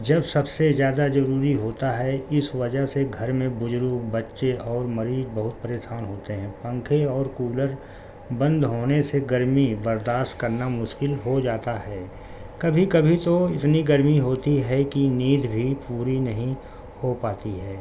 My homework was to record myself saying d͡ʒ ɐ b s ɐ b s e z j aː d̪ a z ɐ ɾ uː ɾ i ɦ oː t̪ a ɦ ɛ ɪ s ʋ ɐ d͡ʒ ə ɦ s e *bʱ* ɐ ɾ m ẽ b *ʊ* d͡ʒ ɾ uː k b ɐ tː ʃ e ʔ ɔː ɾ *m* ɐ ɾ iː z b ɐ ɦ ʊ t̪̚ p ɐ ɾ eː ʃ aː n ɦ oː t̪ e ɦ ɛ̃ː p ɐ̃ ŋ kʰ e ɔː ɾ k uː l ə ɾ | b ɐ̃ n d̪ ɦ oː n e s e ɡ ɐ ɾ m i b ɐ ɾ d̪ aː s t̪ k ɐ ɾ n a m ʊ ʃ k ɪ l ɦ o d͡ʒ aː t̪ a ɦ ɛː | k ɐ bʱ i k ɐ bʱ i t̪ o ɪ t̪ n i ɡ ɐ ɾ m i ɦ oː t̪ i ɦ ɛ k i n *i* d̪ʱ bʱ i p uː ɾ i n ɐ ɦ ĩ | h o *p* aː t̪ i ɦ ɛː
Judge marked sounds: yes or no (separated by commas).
no, yes, yes, no, yes